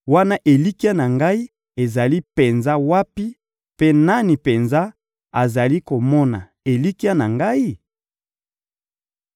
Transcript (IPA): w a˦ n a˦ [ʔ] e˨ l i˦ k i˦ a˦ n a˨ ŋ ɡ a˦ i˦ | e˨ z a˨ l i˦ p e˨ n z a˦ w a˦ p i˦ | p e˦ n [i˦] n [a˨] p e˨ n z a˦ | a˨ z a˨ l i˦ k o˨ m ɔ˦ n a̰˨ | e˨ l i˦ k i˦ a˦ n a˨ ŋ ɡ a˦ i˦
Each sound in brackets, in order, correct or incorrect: correct, incorrect: a˦, incorrect: i˨

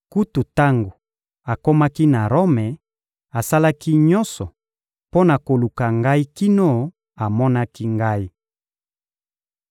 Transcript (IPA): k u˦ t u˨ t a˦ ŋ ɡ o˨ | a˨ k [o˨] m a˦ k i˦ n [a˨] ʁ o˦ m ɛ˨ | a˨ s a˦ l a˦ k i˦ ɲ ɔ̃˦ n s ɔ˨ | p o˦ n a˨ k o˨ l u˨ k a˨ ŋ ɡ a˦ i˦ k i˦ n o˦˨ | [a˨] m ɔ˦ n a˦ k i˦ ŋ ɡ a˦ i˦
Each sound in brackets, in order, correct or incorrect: incorrect: o˦, correct, correct

